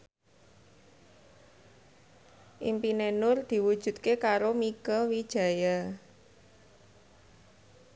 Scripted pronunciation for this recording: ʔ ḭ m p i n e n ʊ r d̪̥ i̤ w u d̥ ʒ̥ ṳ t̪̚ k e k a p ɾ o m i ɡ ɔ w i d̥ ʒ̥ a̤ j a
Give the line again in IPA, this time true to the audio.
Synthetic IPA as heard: ʔ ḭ m p i n e n ʊ r d̪̥ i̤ w u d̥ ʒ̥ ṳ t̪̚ k e k a ɾ o m i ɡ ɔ w i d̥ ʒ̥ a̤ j a